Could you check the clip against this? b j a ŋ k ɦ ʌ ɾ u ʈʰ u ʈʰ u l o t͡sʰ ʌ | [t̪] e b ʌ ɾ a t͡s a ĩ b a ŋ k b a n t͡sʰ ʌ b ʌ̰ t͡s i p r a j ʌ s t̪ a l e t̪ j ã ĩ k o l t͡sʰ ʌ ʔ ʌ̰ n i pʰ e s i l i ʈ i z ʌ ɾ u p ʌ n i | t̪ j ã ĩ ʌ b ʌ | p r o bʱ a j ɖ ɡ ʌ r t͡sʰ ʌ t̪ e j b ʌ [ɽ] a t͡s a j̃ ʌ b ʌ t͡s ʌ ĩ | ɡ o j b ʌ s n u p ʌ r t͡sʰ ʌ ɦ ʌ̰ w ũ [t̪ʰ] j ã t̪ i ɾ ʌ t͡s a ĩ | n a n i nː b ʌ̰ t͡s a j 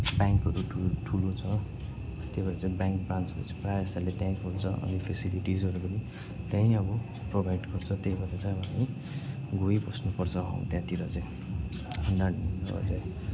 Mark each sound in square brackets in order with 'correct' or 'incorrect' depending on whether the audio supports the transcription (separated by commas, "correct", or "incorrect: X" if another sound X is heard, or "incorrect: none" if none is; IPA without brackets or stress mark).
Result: correct, incorrect: ɾ, incorrect: t̪